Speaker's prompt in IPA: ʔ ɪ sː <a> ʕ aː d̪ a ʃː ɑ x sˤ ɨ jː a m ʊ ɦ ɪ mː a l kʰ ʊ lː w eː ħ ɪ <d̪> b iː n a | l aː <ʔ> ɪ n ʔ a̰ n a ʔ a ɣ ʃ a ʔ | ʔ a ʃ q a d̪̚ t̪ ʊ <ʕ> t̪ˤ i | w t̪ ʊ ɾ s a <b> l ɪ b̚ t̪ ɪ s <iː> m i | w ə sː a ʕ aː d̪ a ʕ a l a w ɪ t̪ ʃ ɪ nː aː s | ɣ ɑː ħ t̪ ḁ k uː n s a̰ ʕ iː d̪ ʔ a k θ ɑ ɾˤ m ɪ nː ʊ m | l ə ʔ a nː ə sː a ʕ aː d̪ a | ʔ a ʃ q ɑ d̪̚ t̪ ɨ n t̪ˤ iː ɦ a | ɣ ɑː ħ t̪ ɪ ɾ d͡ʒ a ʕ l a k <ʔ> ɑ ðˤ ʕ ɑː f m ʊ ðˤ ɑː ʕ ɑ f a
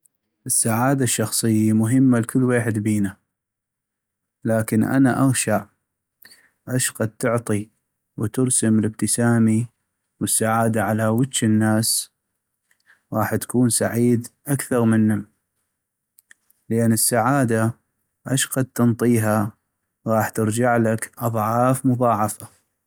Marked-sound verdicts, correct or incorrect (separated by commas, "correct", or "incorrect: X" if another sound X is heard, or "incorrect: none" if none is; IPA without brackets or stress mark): correct, correct, incorrect: k, correct, incorrect: m, incorrect: aː, correct